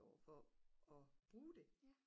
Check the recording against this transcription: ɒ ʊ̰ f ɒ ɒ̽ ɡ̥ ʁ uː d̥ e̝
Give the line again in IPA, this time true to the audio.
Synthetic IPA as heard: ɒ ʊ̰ f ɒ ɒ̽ b̥ ʁ uː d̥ e̝